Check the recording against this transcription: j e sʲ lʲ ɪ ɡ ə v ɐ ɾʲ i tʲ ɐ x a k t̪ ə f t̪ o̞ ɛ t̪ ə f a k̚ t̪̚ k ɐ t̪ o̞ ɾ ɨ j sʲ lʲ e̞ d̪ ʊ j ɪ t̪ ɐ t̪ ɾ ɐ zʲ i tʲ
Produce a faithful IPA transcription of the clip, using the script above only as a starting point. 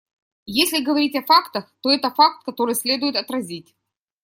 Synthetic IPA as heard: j e sʲ lʲ ɪ ɡ ə v ɐ ɾʲ i tʲ ɐ f a k t̪ ə x t̪ o̞ ɛ t̪ ə f a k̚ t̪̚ k ɐ t̪ o̞ ɾ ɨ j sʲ lʲ e̞ d̪ ʊ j ɪ t̪ ɐ t̪ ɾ ɐ zʲ i tʲ